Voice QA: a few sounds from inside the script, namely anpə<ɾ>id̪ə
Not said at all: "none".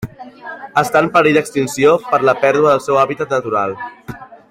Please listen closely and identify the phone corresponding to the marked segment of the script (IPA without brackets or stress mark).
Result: ɾ